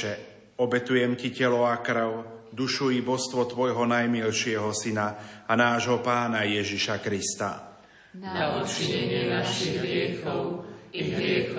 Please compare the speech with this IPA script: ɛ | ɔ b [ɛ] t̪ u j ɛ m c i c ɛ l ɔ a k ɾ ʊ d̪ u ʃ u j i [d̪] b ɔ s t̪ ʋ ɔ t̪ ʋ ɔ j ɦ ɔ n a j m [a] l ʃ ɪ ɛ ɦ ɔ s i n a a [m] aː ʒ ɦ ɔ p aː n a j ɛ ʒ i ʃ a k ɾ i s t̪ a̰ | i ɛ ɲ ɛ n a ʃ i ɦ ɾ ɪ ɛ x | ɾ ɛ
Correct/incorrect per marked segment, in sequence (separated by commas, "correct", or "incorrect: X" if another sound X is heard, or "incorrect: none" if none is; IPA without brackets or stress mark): correct, incorrect: none, incorrect: i, incorrect: n